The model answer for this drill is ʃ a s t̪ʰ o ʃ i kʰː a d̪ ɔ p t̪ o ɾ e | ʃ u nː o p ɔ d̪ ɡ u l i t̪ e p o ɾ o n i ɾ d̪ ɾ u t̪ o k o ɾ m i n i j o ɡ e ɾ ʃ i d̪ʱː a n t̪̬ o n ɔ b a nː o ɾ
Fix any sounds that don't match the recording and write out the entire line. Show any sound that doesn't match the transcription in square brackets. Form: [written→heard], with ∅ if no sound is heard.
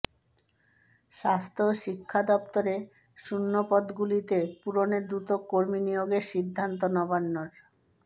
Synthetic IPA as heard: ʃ a s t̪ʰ o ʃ i kʰː a d̪ ɔ p t̪ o ɾ e | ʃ u nː o p ɔ d̪ ɡ u l i t̪ e p [o→u] ɾ o n [i→e] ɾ d̪ ɾ u t̪ o k o ɾ m i n i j o ɡ e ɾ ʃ i d̪ʱː a n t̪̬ o n ɔ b a nː o ɾ

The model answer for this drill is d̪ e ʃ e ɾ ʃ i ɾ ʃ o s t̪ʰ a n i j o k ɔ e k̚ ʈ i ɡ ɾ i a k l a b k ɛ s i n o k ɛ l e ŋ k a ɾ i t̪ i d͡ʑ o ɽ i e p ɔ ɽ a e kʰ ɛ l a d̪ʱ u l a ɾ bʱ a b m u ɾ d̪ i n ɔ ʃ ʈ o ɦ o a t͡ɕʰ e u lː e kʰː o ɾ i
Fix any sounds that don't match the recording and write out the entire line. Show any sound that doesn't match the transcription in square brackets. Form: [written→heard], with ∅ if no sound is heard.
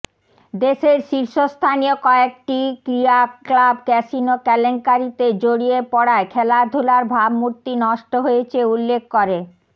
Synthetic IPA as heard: d̪ e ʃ e ɾ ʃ i ɾ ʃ o s t̪ʰ a n i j o k ɔ e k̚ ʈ i [ɡ→k] ɾ i a k l a b k ɛ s i n o k ɛ l e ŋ k a ɾ i t̪ [i→e] d͡ʑ o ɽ i e p ɔ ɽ a e kʰ ɛ l a d̪ʱ u l a ɾ bʱ a b m u ɾ [d̪→t̪] i n ɔ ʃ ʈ o ɦ o [a→e] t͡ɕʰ e u lː e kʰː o ɾ [i→e]

